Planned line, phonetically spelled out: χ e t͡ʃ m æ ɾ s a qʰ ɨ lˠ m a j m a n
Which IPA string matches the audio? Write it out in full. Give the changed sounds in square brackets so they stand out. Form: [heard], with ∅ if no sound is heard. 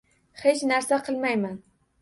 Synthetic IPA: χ e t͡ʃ [n] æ ɾ s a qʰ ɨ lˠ m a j m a n